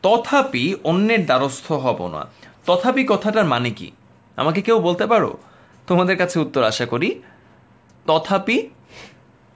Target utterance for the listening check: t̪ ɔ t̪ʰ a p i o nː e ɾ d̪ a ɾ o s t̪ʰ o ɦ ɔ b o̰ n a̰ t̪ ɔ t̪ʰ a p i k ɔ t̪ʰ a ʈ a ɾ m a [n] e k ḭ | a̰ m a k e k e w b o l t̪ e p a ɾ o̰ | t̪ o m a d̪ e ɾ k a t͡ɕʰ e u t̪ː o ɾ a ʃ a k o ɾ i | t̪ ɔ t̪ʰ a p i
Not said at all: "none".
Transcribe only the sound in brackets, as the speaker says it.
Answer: n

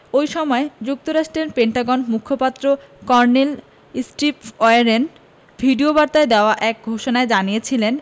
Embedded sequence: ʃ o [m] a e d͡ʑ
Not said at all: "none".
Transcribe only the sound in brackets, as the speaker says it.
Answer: n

